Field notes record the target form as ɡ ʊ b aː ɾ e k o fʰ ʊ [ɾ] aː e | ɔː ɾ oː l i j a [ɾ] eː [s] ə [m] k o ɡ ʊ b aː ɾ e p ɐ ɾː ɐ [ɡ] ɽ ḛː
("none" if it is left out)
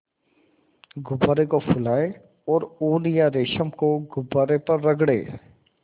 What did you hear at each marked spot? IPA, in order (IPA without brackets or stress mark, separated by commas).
l, ɾ, ʃ, m, ɡ